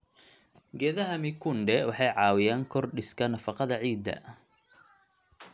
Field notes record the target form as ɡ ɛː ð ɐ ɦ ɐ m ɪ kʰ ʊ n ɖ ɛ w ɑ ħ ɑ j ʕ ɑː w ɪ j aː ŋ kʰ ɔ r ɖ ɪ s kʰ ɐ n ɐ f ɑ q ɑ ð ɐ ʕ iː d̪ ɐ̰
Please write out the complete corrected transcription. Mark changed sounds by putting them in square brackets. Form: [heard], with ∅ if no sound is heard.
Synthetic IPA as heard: ɡ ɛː ð ɐ ɦ ɐ m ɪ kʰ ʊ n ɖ ɛ w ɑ ħ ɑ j ʕ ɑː w ɪ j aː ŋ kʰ ɔ r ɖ ɪ s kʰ ɐ n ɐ f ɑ q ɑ ð ɐ ʕ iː d̪ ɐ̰

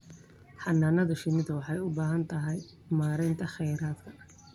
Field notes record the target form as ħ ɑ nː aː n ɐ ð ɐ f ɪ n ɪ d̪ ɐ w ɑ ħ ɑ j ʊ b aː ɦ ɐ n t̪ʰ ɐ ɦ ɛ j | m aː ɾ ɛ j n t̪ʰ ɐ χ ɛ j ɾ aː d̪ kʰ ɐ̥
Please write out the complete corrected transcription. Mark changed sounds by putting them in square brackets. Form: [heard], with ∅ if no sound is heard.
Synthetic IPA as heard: ħ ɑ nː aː n ɐ ð ɐ [ʃ] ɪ n ɪ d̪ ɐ w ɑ ħ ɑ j ʊ b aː ɦ ɐ n t̪ʰ ɐ ɦ ɛ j | m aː ɾ ɛ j n t̪ʰ ɐ χ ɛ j ɾ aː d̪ kʰ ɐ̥

